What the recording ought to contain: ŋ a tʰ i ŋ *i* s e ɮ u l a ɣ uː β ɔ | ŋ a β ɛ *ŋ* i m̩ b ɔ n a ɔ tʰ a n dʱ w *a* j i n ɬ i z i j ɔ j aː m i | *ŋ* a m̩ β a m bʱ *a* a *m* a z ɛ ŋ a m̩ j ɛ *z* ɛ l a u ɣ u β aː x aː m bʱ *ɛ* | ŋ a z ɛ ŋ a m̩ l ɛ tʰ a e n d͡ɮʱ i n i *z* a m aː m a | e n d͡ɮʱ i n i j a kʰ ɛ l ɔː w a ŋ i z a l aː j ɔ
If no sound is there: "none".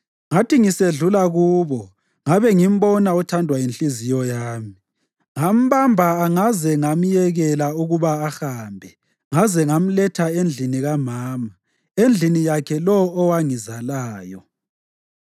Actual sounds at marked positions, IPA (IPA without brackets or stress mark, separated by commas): i, ŋ, a, ŋ, a, ŋ, ɣ, ɛ, ɣ